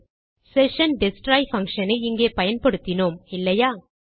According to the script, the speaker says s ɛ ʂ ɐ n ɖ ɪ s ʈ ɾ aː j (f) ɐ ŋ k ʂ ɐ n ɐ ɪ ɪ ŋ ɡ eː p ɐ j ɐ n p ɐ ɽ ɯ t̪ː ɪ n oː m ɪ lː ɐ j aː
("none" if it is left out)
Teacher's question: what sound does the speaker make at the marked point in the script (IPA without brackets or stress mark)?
f